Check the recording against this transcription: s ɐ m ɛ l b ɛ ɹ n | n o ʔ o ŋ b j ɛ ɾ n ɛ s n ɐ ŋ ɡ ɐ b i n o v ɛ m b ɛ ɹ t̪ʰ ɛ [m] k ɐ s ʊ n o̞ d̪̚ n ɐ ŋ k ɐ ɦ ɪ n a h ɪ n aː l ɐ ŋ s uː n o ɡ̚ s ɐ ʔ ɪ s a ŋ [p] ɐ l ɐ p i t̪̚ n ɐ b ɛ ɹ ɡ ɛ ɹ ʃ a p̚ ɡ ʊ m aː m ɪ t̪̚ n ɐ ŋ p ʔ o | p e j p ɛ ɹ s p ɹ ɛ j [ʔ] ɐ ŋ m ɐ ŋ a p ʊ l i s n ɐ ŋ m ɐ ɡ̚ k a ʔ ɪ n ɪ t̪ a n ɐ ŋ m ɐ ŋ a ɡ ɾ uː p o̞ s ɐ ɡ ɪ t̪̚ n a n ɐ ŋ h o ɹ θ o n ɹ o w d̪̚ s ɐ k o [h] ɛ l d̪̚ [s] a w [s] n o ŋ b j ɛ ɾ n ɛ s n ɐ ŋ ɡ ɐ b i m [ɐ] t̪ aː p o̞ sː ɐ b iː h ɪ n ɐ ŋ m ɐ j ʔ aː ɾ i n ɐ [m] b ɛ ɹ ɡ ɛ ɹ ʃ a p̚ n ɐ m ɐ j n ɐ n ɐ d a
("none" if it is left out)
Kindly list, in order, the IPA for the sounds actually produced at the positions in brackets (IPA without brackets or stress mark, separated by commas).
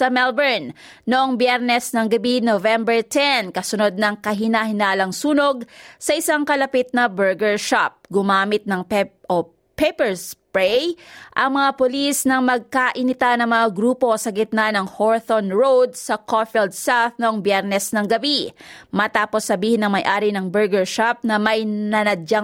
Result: n, k, ʔ, f, s, θ, ɐ, ŋ